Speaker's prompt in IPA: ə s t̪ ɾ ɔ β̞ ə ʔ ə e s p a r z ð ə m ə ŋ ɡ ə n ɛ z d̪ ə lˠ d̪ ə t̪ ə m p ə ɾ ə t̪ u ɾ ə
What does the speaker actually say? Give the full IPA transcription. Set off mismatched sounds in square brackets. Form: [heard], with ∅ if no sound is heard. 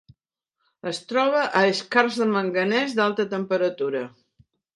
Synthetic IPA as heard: ə s t̪ ɾ ɔ β̞ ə ʔ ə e s [k] a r z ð ə m ə ŋ ɡ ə n ɛ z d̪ [a] lˠ [t̪] ə t̪ ə m p ə ɾ ə t̪ u ɾ ə